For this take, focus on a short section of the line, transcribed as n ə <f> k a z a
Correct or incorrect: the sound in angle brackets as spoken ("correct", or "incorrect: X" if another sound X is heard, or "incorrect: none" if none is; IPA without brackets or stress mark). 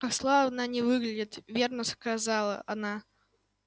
incorrect: s